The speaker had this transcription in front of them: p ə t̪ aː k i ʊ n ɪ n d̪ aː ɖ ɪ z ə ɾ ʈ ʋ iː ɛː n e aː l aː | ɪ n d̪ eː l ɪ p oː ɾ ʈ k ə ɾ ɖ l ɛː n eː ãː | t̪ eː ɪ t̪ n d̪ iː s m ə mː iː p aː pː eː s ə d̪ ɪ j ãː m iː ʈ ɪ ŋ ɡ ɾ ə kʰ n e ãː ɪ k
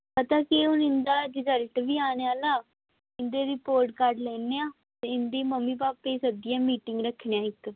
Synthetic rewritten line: p ə t̪ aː k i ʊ n ɪ n d̪ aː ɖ ɪ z ə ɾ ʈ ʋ iː aː n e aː l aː | ɪ n d̪ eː ɾ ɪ p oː ɾ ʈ k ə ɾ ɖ l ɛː n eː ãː | t̪ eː ɪ n d̪ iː m ə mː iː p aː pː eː s ə d̪ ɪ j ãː m iː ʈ ɪ ŋ ɡ ɾ ə kʰ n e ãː ɪ k

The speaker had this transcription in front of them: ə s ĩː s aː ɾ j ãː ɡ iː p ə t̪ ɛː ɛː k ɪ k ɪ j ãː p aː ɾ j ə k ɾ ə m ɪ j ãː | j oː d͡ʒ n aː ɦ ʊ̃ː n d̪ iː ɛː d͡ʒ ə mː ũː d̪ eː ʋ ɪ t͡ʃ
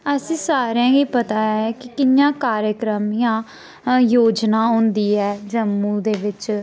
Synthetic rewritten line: ə s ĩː s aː ɾ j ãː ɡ iː p ə t̪ aː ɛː k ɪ k ɪ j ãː k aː ɾ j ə k ɾ ə m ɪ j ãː | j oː d͡ʒ n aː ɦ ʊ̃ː n d̪ iː ɛː d͡ʒ ə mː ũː d̪ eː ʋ ɪ t͡ʃ

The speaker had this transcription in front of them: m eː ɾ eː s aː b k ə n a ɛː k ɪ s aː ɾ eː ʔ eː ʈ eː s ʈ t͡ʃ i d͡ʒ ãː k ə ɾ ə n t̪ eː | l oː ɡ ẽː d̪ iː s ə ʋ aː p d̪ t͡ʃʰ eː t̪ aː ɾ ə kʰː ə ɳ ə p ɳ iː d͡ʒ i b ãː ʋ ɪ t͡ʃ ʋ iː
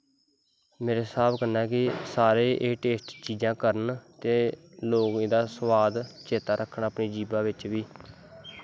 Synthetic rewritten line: m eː ɾ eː s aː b k ə n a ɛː k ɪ s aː ɾ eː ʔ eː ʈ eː s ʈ t͡ʃ iː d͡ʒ ãː k ə ɾ ə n t̪ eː | l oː ɡ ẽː d̪ aː s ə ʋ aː d̪ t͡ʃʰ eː t̪ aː ɾ ə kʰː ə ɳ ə p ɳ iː d͡ʒ iː b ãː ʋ ɪ t͡ʃ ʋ iː

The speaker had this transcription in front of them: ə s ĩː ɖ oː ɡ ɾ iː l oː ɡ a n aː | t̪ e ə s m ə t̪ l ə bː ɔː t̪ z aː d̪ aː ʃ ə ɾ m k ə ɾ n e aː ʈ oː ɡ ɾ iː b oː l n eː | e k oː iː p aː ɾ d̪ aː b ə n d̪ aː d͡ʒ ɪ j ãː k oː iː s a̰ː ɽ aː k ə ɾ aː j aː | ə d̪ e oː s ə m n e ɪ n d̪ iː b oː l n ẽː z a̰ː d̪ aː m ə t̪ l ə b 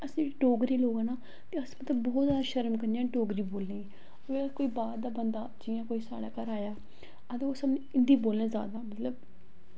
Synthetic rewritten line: ə s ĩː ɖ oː ɡ ɾ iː l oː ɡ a n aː | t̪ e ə s m ə t̪ l ə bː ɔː t̪ z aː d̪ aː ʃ ə ɾ m k ə ɾ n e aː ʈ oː ɡ ɾ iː b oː l n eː | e k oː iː b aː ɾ d̪ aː b ə n d̪ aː d͡ʒ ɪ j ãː k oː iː s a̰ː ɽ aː k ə ɾ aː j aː | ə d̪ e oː s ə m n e ɪ n d̪ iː b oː l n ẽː z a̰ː d̪ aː m ə t̪ l ə b

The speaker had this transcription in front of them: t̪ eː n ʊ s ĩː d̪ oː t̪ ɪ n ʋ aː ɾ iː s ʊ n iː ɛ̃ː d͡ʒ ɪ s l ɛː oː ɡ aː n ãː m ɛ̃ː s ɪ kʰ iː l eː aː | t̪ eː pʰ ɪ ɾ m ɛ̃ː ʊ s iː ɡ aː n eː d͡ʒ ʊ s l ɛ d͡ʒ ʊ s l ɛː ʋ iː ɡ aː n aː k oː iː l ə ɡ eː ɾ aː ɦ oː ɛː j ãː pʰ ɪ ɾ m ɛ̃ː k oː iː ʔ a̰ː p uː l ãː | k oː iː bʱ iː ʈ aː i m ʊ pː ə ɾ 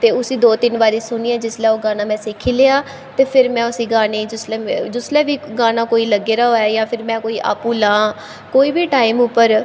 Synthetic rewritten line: t̪ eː ʊ s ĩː d̪ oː t̪ ɪ n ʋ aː ɾ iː s ʊ n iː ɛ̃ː d͡ʒ ɪ s l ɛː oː ɡ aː n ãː m ɛ̃ː s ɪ kʰ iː l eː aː | t̪ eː pʰ ɪ ɾ m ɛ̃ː ʊ s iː ɡ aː n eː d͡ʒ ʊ s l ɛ d͡ʒ ʊ s l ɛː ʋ iː ɡ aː n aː k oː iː l ə ɡ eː ɾ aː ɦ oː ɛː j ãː pʰ ɪ ɾ m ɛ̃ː k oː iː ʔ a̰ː p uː l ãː | k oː iː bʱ iː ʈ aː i m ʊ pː ə ɾ

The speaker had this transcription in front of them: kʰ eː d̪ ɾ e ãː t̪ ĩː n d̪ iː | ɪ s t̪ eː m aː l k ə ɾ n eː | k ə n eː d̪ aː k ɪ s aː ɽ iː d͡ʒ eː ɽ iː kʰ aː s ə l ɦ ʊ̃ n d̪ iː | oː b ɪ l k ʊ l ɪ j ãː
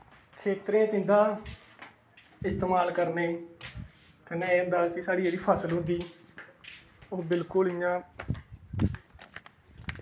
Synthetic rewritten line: kʰ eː t̪ ɾ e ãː t̪ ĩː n d̪ aː | ɪ s t̪ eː m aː l k ə ɾ n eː | k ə n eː d̪ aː k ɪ s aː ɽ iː d͡ʒ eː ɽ iː pʰ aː s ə l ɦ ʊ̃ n d̪ iː | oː b ɪ l k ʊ l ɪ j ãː

